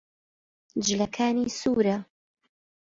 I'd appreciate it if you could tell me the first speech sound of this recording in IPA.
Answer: d͡ʒ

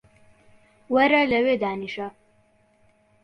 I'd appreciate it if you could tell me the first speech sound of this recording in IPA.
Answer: w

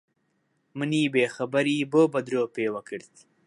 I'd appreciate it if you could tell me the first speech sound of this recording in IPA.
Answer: m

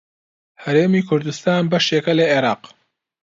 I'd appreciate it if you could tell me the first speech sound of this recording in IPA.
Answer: h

